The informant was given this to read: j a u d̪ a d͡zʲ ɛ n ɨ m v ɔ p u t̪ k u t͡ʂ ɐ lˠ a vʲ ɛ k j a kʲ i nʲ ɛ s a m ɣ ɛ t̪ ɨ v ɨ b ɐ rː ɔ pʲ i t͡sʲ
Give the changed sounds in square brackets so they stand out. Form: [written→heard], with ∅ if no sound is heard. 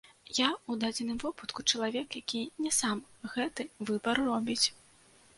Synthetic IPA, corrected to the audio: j a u d̪ a d͡zʲ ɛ n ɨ m v ɔ p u t̪ k u t͡ʂ ɐ lˠ a vʲ ɛ k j a kʲ i nʲ ɛ s a m ɣ ɛ t̪ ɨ v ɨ b ɐ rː ɔ [pʲ→bʲ] i t͡sʲ